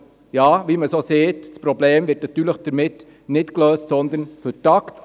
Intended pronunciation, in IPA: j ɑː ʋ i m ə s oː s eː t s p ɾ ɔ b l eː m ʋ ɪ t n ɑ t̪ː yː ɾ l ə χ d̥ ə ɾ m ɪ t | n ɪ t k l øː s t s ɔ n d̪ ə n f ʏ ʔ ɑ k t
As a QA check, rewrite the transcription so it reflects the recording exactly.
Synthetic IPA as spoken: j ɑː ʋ i m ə s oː s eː t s p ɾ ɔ b l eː m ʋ ɪ t n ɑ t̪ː yː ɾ l ə χ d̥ ə ɾ m ɪ t | n ɪ t k l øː s t s ɔ n d̪ ə n f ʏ t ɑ k t

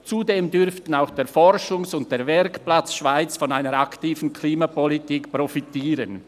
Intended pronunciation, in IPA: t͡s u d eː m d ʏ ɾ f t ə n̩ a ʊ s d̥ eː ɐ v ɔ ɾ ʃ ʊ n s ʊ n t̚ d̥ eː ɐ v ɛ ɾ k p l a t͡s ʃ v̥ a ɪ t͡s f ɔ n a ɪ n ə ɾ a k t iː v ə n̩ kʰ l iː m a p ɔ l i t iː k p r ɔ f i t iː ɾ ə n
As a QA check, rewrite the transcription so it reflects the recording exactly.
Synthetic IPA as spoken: t͡s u d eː m d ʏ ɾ f t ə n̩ a ʊ x d̥ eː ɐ f ɔ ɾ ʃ ʊ ŋ s ʊ n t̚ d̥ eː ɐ v ɛ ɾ k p l a t͡s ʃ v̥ a ɪ t͡s f ɔ n a ɪ n ə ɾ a k t iː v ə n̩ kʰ l iː m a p ɔ l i t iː k p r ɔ f i t iː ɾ ə n

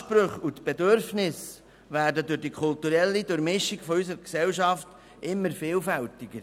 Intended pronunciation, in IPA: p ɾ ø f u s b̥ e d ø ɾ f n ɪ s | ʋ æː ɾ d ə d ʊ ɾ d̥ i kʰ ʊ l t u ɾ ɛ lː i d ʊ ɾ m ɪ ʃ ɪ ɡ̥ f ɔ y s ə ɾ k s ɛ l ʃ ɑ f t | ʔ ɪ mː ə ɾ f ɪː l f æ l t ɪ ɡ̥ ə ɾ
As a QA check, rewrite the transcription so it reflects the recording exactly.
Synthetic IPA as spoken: p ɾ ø χ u t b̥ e d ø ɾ f n ɪ s | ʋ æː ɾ d ə d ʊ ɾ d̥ i kʰ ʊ l t u ɾ ɛ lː i d ʊ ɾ m ɪ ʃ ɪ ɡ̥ f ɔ y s ə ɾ k s ɛ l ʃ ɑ f t | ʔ ɪ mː ə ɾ f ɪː l f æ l t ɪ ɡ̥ ə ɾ

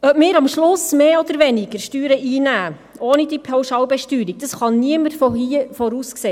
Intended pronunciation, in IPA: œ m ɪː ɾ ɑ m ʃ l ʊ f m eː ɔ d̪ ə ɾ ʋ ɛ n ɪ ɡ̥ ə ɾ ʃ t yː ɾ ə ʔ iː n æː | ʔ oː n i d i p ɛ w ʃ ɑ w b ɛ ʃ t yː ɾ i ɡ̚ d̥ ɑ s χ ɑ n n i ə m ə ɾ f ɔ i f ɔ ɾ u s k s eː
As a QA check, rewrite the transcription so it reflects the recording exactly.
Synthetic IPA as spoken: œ m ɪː ɾ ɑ m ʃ l ʊ s m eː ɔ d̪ ə ɾ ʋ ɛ n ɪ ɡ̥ ə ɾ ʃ t yː ɾ ə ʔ iː n æː | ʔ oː n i d i pʰ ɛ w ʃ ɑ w b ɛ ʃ t yː ɾ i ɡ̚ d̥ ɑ s χ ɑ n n i ə m ə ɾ f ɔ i f ɔ ɾ u s k s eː

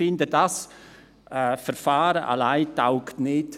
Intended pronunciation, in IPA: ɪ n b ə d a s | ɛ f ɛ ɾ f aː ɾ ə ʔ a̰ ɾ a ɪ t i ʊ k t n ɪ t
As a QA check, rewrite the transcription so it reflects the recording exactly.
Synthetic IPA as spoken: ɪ n d ə d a s | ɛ f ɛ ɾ f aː ɾ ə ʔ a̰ l a ɪ t a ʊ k t n ɪ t

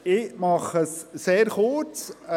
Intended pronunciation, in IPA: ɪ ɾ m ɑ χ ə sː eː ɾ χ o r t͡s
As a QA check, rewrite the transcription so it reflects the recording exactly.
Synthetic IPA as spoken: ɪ m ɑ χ ə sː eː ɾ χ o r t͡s

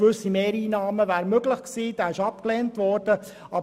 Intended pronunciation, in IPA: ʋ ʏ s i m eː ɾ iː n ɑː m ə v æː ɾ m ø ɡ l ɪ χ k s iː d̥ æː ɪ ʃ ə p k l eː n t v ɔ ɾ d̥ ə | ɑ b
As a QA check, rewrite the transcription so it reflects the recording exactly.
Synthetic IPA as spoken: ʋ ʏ s i m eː ɾ iː n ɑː m ə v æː ɾ m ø ɡ l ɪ χ k s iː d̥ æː ɪ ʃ ɑ p k l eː n t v ɔ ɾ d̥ ə | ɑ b

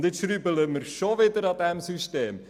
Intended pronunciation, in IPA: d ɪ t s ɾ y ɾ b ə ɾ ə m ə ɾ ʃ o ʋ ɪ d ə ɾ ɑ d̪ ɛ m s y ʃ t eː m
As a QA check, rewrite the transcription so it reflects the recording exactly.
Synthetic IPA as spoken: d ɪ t ʃ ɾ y b ə l ə m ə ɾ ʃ o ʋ ɪ d ə ɾ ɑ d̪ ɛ m s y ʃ t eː m

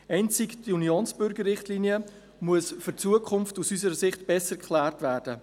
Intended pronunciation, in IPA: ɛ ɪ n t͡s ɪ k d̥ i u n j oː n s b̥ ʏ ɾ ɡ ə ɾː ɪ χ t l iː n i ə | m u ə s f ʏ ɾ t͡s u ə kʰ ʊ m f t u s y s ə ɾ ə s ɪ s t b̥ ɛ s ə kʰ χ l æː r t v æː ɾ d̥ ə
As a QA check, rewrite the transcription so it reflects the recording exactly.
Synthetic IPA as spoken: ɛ ɪ n t͡s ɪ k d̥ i u n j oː n s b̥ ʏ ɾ ɡ ə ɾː ɪ χ t l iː n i ə | m u ə s f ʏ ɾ t͡s u ə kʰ ʊ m f t u s y s ə ɾ ə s ɪ χ t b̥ ɛ s ə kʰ χ l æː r t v æː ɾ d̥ ə

